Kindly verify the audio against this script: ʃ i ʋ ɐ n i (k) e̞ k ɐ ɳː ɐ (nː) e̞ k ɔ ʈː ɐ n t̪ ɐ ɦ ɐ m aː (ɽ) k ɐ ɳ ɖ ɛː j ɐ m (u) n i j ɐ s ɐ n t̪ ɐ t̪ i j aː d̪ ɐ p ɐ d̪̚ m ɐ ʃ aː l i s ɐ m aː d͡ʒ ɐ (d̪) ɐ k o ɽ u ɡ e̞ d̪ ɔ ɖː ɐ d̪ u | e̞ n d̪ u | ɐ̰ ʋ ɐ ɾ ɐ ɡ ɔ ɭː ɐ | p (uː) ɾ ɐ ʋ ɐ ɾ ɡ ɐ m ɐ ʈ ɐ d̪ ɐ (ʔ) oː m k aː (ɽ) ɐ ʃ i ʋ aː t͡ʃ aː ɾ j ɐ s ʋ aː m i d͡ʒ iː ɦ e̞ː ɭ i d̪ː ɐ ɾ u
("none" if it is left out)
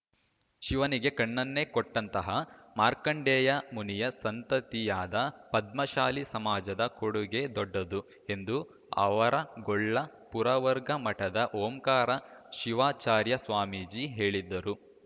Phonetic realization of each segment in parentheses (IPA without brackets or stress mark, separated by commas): ɡ, nː, ɾ, u, d̪, u, ʔ, ɾ